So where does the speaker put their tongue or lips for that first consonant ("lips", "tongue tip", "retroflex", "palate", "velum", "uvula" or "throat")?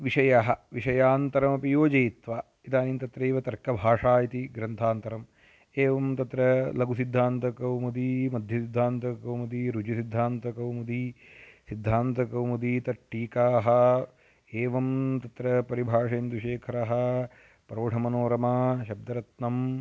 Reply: lips